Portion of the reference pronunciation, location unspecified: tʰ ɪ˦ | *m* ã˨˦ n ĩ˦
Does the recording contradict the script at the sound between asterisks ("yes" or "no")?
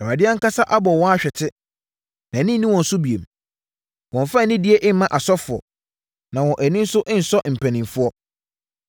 yes